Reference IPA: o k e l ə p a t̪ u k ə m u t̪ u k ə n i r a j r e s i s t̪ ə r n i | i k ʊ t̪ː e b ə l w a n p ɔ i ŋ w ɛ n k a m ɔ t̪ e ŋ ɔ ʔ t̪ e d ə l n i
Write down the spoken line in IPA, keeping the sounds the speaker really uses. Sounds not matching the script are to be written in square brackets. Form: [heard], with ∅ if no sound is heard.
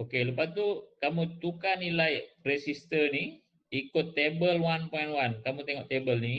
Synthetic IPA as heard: o k e l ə p a t̪ u k [a] m u t̪ u k [a] n i [l] a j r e s i s t̪ ə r n i | i k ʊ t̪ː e b ə l w a n p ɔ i [n] w [a] n k a m [u] t̪ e ŋ ɔ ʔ t̪ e [b] ə l n i